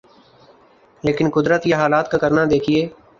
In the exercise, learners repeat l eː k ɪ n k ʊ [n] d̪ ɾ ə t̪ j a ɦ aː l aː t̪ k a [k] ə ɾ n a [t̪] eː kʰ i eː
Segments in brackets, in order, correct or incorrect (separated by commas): incorrect, correct, incorrect